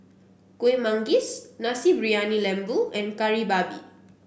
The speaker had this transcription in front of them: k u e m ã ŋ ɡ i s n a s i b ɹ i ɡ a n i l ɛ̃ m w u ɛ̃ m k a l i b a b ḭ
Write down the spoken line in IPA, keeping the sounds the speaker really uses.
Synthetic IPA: k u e m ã ŋ ɡ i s n a s i b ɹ i a n i l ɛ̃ m b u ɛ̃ n k a ɹ i b a b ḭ